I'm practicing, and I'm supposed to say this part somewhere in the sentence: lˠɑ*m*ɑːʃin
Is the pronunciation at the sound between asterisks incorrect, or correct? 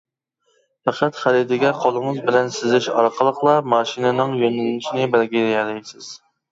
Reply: correct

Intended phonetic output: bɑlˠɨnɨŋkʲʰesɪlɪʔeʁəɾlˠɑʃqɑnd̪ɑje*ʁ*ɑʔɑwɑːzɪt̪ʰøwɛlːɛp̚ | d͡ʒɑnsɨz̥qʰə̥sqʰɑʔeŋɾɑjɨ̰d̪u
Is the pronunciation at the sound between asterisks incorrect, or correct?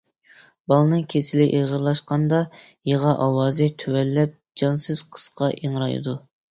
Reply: correct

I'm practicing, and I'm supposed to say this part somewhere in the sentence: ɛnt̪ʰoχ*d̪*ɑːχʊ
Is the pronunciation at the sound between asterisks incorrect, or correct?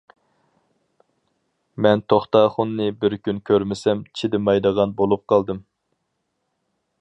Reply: incorrect: t̪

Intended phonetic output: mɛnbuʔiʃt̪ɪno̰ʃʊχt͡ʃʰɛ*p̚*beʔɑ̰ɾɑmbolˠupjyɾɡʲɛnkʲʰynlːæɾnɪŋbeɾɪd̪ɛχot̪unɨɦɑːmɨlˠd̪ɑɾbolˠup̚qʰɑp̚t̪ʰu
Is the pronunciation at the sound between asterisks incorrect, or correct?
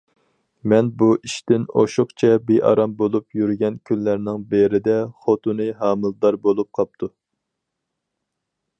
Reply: incorrect: none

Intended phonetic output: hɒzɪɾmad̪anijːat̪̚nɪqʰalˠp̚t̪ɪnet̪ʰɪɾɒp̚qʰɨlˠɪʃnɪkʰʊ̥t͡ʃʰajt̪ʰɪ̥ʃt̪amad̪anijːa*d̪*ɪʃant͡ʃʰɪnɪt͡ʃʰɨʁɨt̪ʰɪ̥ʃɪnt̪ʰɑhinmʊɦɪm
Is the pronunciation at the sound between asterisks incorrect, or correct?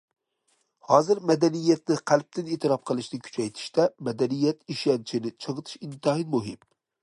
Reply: incorrect: t̪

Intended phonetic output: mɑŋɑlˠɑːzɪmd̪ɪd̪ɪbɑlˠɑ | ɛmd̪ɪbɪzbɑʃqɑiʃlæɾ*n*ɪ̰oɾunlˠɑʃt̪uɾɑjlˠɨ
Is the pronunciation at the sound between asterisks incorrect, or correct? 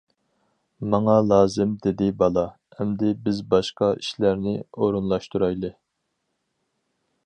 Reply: correct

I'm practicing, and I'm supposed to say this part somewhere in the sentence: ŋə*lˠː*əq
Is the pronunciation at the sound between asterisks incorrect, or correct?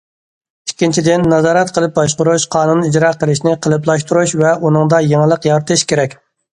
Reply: incorrect: lˠ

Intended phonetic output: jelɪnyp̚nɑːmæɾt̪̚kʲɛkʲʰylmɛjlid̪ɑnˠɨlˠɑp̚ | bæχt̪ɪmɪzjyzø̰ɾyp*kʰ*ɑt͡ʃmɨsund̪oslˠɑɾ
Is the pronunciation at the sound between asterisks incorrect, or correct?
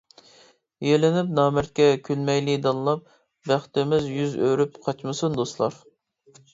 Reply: incorrect: qʰ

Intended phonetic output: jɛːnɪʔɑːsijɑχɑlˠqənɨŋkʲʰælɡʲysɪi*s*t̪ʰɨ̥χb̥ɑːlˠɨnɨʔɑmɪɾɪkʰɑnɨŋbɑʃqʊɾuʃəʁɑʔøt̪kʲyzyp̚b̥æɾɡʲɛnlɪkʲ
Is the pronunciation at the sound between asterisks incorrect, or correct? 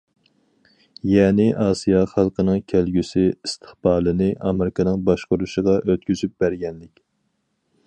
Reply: correct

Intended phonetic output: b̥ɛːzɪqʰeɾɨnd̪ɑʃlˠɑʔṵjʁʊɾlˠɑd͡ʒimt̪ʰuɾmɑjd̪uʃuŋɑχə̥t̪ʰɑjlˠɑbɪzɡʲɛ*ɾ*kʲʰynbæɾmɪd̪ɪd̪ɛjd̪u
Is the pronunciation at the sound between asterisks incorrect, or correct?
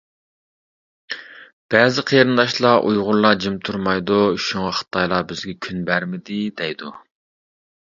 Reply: incorrect: none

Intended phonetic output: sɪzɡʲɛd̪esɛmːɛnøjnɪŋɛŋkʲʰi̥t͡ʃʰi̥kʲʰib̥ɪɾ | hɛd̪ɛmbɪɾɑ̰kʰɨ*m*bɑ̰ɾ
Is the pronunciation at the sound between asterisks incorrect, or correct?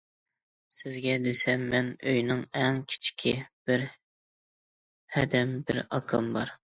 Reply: correct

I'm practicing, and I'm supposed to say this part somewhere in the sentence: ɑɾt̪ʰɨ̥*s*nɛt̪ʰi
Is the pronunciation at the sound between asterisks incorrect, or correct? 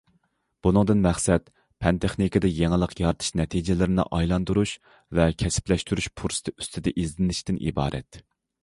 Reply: incorrect: ʃ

